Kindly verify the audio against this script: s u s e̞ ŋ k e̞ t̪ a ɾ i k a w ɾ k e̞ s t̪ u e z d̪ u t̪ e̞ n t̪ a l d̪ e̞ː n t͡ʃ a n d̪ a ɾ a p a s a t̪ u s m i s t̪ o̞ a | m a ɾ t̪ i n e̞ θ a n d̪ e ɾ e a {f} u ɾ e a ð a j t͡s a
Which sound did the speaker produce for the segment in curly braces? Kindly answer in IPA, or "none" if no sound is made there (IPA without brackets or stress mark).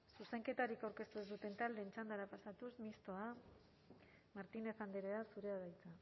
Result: s